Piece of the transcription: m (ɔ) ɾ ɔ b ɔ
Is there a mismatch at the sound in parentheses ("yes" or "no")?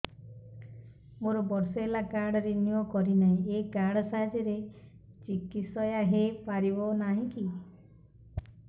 yes